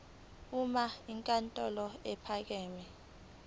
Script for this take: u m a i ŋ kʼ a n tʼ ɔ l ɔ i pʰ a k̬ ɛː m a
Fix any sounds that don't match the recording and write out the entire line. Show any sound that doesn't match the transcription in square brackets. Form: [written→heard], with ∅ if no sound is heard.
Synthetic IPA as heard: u m a i ŋ kʼ a n tʼ ɔ l ɔ [i→ɛ] pʰ a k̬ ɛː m [a→ɛ]